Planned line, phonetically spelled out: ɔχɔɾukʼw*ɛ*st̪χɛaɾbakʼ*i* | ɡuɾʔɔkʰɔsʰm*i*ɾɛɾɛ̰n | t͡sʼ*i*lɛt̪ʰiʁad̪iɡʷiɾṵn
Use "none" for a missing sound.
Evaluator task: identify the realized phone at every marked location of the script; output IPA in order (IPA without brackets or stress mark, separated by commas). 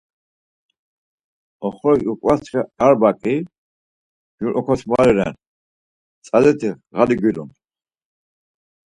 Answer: a, i, a, a